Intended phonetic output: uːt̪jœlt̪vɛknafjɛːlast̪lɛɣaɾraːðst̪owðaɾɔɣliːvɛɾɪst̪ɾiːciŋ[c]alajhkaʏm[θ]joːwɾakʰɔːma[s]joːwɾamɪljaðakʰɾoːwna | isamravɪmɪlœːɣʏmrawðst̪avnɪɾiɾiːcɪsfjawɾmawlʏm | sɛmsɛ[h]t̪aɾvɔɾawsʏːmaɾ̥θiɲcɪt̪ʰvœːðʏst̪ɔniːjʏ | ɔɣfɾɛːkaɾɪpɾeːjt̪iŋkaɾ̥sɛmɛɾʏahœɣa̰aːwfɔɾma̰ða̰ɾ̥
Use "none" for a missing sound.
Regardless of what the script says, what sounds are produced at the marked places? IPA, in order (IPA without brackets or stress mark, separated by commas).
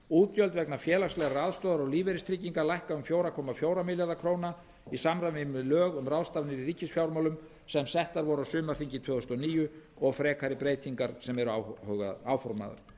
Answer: k, f, f, h